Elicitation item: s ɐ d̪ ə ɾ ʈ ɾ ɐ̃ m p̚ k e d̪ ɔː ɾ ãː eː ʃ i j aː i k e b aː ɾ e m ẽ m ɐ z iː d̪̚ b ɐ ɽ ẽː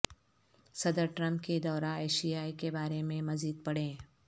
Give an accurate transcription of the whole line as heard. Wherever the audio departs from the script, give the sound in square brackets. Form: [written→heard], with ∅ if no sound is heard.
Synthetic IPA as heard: s ɐ d̪ ə ɾ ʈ ɾ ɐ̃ m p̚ k e d̪ ɔː ɾ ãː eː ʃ i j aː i k e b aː ɾ e m ẽ m ɐ z iː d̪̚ [b→p] ɐ ɽ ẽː